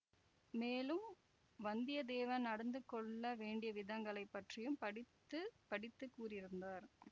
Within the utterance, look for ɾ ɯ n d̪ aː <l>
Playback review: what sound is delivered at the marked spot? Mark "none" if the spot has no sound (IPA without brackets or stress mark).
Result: ɾ